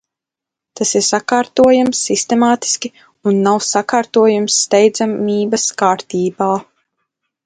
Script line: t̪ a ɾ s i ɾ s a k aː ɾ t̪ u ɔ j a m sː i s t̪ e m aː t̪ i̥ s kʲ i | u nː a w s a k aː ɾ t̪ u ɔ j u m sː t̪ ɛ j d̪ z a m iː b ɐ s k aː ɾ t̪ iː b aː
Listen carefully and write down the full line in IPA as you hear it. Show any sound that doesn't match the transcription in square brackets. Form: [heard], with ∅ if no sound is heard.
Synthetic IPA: t̪ a [∅] s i ɾ s a k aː ɾ t̪ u ɔ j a m sː i s t̪ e m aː t̪ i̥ s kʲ i | u nː a w s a k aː ɾ t̪ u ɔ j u m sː t̪ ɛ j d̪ z a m iː b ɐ s k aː ɾ t̪ iː b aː